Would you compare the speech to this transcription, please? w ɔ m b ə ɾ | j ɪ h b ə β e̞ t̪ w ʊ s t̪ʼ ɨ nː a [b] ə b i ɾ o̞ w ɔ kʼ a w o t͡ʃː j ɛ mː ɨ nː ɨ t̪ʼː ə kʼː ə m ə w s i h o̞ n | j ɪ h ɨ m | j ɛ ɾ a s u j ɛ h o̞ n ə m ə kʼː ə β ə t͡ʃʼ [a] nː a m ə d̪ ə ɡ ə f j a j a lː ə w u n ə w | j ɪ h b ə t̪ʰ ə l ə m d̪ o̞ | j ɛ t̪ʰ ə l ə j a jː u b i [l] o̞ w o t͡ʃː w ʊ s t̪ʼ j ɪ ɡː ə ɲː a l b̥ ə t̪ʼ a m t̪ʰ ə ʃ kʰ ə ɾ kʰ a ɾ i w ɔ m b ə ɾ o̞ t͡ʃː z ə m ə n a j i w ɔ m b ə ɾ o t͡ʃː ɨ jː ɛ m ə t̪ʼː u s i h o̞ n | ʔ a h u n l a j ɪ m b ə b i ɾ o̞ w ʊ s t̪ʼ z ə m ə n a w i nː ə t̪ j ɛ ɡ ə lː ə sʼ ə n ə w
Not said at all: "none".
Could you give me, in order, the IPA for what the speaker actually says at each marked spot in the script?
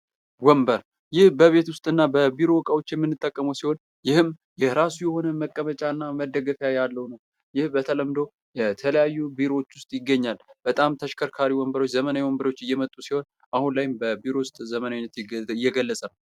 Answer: b, a, ɾ

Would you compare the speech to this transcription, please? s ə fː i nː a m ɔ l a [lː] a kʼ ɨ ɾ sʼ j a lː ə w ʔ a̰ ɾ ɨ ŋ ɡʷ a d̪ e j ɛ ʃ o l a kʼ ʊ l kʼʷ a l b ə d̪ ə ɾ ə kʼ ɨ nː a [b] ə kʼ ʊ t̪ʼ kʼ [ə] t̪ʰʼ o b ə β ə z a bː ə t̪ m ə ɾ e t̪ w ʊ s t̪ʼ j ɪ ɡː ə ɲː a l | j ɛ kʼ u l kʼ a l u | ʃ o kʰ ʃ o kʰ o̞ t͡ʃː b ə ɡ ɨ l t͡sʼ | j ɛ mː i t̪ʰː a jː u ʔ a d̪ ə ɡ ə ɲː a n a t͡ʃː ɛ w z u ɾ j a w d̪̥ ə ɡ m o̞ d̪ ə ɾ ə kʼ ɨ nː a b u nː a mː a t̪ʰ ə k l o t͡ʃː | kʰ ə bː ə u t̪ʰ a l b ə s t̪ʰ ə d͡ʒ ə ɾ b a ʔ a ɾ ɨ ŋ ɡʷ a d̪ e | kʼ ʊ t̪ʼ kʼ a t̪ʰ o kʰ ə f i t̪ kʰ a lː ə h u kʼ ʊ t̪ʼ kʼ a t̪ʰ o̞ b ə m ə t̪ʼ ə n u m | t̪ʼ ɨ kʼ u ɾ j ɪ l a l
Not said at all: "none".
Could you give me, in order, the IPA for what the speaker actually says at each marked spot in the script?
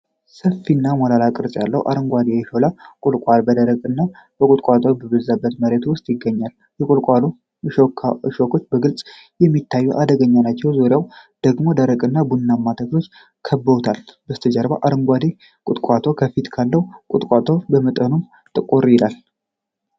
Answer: l, b, a

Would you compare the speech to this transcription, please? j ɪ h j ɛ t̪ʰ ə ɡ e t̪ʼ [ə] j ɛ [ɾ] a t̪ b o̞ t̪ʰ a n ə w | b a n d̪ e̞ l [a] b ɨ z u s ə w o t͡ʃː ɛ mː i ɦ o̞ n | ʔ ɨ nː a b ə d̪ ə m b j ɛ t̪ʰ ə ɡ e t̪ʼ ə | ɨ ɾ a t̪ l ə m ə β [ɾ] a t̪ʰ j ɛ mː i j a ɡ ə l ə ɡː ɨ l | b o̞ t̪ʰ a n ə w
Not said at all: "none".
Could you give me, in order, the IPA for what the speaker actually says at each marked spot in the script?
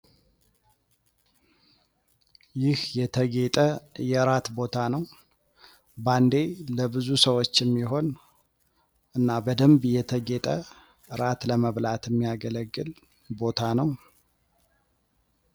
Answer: ə, ɾ, ə, l

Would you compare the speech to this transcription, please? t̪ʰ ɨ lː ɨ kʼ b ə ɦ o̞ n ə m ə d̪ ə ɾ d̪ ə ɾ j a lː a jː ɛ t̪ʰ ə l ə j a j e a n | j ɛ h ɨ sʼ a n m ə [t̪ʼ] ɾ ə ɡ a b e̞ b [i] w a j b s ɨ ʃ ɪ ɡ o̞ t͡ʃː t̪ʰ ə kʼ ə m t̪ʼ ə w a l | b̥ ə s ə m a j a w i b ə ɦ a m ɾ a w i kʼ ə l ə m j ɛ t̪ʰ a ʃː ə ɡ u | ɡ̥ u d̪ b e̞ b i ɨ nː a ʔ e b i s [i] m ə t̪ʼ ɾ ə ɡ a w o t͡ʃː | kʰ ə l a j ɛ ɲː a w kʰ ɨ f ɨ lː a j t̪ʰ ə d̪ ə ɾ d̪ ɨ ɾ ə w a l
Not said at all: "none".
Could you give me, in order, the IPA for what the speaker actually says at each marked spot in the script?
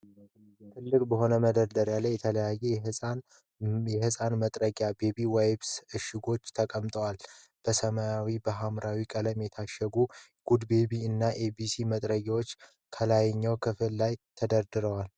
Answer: t̪ʼ, i, i

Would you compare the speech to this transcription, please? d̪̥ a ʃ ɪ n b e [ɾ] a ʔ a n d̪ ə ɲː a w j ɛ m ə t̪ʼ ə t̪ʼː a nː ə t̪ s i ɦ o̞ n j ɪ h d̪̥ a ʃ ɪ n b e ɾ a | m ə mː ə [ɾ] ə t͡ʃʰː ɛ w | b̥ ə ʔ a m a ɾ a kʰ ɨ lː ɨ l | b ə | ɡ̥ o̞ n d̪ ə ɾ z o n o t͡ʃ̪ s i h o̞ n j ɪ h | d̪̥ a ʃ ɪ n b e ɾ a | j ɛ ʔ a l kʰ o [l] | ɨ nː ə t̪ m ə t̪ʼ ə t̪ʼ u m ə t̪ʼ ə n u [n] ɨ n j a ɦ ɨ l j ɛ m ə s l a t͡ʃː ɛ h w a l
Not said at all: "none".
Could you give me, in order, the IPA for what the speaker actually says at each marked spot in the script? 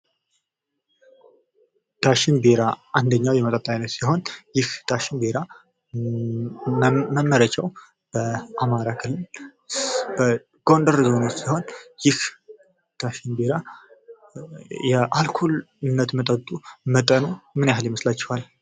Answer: ɾ, ɾ, l, m

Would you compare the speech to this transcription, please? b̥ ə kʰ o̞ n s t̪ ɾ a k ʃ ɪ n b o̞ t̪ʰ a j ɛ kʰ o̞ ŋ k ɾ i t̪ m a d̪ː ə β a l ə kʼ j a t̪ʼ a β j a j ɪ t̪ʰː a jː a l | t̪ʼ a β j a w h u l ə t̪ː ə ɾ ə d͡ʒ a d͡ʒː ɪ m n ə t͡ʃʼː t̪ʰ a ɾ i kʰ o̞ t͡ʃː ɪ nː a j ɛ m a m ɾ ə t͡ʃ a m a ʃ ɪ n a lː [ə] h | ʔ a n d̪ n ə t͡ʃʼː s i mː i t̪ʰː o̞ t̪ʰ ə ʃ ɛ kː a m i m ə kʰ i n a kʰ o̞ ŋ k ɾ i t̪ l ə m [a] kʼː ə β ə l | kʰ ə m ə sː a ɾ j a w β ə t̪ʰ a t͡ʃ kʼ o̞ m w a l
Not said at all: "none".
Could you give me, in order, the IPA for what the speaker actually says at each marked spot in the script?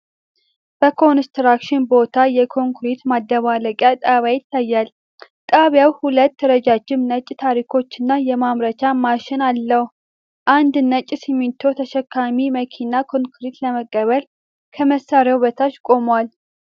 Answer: ə, ə

